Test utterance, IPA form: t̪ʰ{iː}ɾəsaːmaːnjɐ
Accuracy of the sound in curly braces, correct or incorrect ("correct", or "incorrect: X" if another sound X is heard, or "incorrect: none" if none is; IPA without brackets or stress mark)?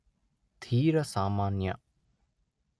correct